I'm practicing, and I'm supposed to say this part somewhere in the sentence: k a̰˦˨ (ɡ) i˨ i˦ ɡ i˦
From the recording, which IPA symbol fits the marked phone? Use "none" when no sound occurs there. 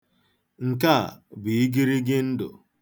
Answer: b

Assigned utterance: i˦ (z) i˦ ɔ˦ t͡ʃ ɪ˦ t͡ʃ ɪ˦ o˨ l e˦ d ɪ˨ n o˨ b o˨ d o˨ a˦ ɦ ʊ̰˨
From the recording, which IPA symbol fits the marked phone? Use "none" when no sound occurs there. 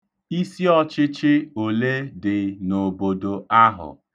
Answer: s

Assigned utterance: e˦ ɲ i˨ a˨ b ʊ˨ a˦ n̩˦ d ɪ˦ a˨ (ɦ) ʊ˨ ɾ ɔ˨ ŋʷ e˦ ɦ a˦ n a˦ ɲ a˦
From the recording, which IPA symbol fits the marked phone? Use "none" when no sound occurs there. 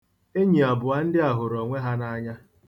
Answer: ɦ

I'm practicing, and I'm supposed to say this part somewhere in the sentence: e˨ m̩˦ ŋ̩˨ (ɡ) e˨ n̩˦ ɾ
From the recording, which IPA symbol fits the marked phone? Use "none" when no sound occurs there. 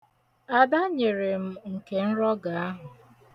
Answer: k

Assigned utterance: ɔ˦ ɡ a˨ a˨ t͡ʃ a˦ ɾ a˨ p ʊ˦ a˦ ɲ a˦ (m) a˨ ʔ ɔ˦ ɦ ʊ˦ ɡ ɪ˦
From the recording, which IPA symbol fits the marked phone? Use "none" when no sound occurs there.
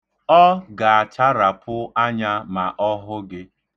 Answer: m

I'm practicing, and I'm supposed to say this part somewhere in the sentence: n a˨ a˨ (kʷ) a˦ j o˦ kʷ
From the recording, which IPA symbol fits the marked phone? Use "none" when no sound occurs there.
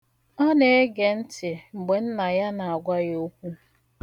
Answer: ɡʷ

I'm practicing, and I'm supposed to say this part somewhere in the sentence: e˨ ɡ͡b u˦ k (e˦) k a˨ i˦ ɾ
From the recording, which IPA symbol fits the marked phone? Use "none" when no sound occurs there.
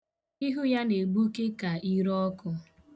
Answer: e˦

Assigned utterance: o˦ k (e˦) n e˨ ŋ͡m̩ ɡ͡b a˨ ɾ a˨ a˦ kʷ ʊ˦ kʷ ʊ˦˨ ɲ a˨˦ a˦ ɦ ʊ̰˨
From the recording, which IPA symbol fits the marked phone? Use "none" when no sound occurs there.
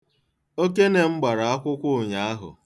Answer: e˦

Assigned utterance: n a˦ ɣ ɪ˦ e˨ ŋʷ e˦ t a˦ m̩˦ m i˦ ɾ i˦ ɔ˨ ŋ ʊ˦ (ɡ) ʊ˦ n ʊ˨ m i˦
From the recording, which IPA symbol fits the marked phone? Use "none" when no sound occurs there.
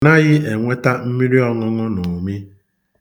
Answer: ŋ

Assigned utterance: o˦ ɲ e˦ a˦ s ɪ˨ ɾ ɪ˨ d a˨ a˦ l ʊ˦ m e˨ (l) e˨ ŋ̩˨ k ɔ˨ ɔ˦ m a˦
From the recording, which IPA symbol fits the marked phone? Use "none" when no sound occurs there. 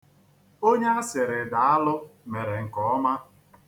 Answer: ɾ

